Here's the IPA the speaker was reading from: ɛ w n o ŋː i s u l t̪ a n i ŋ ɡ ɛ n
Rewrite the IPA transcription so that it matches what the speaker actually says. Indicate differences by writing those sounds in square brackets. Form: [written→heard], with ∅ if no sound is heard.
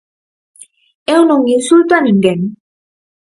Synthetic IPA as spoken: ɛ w n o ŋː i s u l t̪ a n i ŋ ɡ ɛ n

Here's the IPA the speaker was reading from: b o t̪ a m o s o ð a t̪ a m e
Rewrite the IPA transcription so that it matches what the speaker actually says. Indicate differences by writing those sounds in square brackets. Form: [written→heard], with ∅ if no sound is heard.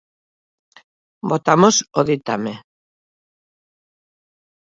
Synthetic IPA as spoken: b o t̪ a m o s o ð [a→i] t̪ a m e

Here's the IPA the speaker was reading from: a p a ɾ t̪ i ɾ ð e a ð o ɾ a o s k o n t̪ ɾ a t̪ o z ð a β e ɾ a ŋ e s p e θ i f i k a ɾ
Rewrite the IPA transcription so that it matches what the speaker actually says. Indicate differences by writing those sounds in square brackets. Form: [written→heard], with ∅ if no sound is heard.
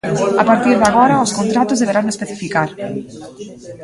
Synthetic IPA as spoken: a p a ɾ t̪ i ɾ ð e a [ð→ɣ] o ɾ a o s k o n t̪ ɾ a t̪ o z ð [a→e] β e ɾ a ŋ e s p e θ i f i k a ɾ

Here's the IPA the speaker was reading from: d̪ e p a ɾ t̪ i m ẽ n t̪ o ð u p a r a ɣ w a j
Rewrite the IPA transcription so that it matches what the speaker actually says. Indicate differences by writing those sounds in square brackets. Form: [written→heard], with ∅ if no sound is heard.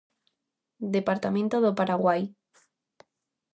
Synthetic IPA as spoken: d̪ e p a ɾ t̪ [i→a] m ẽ n t̪ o ð [u→o] p a [r→ɾ] a ɣ w a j

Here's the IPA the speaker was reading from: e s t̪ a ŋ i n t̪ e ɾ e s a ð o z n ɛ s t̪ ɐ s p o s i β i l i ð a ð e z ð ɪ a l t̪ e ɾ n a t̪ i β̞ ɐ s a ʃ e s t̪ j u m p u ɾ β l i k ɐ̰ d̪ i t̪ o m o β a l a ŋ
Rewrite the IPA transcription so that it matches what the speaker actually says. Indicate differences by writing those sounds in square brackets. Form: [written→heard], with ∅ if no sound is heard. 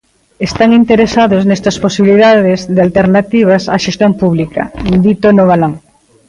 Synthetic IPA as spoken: e s t̪ a ŋ i n t̪ e ɾ e s a ð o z n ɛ s t̪ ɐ s p o s i β i l i ð a ð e z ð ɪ a l t̪ e ɾ n a t̪ i β̞ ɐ s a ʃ e s t̪ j [u→o] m p u [ɾ→∅] β l i k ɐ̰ d̪ i t̪ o [m→n] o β a l a ŋ

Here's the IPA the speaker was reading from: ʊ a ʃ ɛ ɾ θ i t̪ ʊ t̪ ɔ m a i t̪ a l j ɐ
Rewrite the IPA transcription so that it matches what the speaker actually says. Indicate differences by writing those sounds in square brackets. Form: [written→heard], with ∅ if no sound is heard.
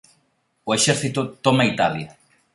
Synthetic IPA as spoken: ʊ [a→e] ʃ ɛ ɾ θ i t̪ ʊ t̪ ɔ m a i t̪ a l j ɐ

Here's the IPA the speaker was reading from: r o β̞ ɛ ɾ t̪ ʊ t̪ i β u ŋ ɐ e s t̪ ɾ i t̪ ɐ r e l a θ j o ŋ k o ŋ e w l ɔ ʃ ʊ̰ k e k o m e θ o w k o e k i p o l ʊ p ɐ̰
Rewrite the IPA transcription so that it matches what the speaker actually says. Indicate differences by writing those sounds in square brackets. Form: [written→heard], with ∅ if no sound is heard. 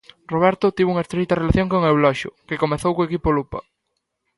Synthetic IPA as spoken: r o β̞ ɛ ɾ t̪ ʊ t̪ i β u ŋ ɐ e s t̪ ɾ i t̪ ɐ r e l a θ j o ŋ k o ŋ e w l ɔ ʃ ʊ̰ k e k o m e θ o w k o e k i p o l [ʊ→u] p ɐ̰

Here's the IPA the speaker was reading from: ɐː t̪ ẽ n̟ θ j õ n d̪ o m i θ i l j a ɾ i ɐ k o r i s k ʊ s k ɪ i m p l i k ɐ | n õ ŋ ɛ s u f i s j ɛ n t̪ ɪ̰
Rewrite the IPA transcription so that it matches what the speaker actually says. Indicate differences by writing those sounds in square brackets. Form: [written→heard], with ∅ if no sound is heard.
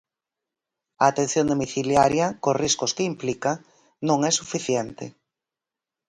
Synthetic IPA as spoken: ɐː t̪ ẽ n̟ θ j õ n d̪ o m i θ i l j a ɾ [i→j] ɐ k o r i s k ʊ s k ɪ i m p l i k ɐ | n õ ŋ ɛ s u f i [s→θ] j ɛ n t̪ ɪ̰

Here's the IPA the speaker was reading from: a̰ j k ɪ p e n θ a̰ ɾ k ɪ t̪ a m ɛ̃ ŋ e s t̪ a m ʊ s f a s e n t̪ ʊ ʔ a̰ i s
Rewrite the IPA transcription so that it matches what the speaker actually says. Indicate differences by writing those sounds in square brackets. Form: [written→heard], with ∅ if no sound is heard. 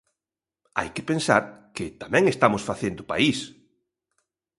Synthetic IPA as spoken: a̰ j k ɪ p e n [θ→s] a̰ ɾ k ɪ t̪ a m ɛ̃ ŋ e s t̪ a m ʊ s f a [s→θ] e n [t̪→d̪] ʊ [ʔ→p] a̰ i s

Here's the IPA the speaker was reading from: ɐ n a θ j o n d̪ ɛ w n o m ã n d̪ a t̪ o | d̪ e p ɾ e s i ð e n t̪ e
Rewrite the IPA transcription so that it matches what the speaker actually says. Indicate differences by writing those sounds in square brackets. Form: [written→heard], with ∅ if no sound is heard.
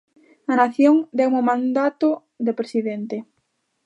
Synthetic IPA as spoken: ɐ n a θ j o [n→ŋ] d̪ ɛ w [n→m] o m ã n d̪ a t̪ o | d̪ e p ɾ e s i ð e n t̪ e

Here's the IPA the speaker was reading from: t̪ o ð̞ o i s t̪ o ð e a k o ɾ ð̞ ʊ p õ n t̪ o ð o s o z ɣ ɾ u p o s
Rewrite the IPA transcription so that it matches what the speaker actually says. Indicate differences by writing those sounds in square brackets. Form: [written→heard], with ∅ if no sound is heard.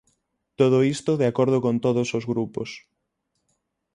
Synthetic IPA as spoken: t̪ o ð̞ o i s t̪ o ð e a k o ɾ ð̞ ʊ [p→k] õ n t̪ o ð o s o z ɣ ɾ u p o s

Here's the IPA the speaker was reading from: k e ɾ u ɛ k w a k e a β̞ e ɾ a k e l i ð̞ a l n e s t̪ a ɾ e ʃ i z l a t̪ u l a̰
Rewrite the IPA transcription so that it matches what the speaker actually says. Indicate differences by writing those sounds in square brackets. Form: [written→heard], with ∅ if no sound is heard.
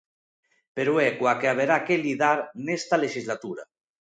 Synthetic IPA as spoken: [k→p] e ɾ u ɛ k w a k e a β̞ e ɾ a k e l i ð̞ a [l→ɾ] n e s t̪ a [ɾ→l] e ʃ i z l a t̪ u [l→ɾ] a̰

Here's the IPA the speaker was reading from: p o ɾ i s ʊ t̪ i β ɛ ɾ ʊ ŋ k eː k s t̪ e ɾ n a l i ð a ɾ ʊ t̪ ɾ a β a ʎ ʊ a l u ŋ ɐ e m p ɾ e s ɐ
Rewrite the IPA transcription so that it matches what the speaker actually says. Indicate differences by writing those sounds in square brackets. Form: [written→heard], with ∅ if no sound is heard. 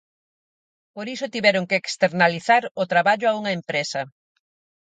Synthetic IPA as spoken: p o ɾ i s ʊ t̪ i β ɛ ɾ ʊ ŋ k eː k s t̪ e ɾ n a l i [ð→θ] a ɾ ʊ t̪ ɾ a β a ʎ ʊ a [l→∅] u ŋ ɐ e m p ɾ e s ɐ

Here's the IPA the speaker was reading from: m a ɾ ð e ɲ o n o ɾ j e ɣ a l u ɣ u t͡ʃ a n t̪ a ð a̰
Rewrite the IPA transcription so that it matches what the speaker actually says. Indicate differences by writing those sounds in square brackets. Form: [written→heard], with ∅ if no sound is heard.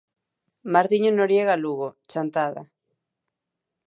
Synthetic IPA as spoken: m a ɾ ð [e→i] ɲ o n o ɾ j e ɣ a l u ɣ [u→o] t͡ʃ a n t̪ a ð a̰

